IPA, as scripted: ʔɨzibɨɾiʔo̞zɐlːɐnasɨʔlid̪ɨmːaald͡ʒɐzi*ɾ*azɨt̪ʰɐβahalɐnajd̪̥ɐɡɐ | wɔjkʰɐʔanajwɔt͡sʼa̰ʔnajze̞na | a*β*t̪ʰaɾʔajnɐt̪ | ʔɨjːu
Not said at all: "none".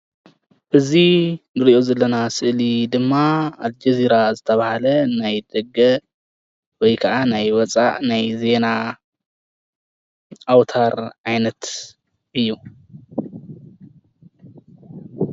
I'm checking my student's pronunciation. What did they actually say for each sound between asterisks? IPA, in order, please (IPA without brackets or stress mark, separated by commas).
ɾ, w